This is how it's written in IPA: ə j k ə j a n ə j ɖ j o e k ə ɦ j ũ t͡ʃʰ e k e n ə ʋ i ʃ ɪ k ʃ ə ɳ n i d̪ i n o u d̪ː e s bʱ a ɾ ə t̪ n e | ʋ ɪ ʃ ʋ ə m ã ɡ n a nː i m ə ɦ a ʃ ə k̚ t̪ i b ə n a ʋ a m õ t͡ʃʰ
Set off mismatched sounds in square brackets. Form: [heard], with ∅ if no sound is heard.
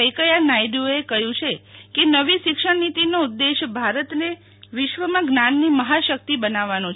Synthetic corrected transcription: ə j k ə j a n [a] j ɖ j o e k ə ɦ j ũ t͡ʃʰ e k e n ə ʋ i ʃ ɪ k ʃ ə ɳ n i [t̪] i n o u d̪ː e [ʃ] bʱ a ɾ ə t̪ n e | ʋ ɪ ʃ ʋ ə m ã ɡ n a nː i m ə ɦ a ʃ ə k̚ t̪ i b ə n a ʋ a [n] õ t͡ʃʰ